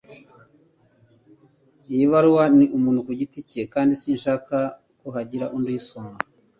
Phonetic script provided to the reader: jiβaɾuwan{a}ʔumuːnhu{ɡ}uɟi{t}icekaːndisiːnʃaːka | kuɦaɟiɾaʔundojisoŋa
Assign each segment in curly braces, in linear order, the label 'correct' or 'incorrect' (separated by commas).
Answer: incorrect, incorrect, correct